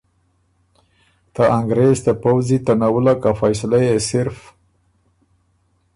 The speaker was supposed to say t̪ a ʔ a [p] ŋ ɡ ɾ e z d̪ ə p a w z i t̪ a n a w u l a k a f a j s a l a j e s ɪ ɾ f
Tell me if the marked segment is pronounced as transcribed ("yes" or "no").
no